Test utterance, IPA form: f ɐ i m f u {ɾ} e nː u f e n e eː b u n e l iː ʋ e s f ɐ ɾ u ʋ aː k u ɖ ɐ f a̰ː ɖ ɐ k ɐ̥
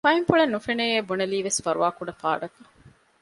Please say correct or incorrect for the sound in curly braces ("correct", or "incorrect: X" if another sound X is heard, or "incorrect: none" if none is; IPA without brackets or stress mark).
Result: incorrect: ɭ